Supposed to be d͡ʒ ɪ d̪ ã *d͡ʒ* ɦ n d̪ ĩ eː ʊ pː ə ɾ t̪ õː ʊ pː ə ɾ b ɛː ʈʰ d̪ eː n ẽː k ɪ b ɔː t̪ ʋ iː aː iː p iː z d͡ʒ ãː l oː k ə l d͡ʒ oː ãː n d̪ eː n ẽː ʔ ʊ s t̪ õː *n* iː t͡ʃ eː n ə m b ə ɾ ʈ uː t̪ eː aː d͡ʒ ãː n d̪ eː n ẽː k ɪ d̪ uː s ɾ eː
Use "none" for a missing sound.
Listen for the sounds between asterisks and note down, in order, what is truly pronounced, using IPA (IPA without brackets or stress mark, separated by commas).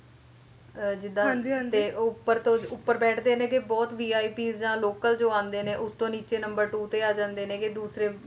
none, n